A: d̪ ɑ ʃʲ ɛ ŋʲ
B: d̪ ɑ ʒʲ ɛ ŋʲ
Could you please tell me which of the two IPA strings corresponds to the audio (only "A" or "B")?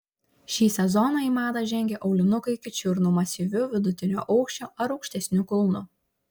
B